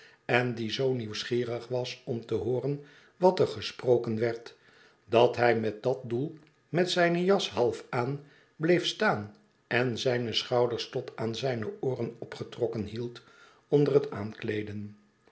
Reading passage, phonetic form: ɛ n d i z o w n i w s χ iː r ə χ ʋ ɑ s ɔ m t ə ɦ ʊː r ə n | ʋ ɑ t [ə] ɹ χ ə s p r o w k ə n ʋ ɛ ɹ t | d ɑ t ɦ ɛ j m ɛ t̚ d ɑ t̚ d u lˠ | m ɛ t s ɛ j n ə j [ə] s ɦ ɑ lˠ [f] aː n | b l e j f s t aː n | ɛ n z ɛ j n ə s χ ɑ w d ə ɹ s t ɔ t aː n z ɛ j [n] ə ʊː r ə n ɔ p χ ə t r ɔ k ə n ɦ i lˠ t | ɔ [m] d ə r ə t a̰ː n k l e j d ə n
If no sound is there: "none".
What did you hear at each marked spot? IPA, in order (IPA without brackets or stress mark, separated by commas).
ə, ɑ, f, n, n